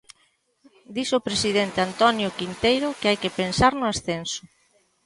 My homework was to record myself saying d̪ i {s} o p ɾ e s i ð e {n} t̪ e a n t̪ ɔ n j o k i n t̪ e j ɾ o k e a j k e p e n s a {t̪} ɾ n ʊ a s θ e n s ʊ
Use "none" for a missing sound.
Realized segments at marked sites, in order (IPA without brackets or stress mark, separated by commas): s, n, none